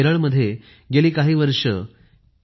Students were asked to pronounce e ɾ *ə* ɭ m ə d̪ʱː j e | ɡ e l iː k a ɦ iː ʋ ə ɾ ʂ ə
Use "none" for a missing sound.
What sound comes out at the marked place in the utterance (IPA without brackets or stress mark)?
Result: ə